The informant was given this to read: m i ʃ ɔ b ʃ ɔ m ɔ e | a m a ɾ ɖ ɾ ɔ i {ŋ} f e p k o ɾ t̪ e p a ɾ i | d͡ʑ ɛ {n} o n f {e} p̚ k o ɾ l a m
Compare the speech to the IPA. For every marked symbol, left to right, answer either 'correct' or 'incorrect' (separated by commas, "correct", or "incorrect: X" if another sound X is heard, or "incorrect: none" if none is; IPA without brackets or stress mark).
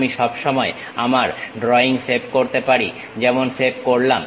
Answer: correct, incorrect: m, correct